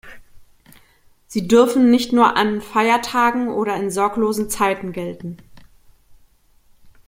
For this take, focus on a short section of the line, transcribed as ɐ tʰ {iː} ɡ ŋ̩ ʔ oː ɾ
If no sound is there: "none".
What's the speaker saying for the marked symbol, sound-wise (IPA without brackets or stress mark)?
aː